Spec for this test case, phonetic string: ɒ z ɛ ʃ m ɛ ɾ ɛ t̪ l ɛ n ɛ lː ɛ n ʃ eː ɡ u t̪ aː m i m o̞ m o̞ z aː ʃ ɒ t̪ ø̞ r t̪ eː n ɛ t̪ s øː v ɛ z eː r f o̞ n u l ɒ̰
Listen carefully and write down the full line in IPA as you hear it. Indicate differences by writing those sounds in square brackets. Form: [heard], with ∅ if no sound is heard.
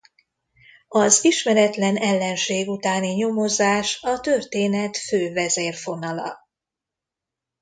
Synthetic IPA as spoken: ɒ z [i] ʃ m ɛ ɾ ɛ t̪ l ɛ n ɛ lː ɛ n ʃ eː ɡ u t̪ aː [n] i [ɲ] o̞ m o̞ z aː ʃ ɒ t̪ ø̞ r t̪ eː n ɛ t̪ [f] øː v ɛ z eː r f o̞ n [ɒ] l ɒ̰